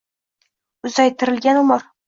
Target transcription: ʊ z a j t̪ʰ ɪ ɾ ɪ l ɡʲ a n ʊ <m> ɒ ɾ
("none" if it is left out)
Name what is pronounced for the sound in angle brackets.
m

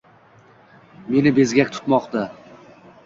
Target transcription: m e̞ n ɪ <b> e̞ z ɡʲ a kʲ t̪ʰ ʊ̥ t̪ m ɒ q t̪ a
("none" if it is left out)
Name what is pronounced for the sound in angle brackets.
b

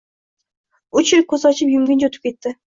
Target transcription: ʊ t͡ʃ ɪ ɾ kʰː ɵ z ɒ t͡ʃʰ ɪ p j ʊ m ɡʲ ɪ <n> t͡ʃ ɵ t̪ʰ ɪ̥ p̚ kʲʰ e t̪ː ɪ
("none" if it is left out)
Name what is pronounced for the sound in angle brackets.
n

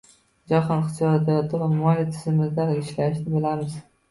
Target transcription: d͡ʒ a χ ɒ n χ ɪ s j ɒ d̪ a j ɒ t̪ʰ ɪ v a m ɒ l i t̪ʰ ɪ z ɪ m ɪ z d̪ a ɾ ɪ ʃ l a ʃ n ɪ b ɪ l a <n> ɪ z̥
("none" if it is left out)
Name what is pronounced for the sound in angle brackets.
m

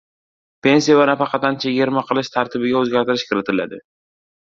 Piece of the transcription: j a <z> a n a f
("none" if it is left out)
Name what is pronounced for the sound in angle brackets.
v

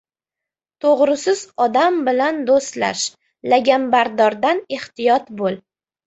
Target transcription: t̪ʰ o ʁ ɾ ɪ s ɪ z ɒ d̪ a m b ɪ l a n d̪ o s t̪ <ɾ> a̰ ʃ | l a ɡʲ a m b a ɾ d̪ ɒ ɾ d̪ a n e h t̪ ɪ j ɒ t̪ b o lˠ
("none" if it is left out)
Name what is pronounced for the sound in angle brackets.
l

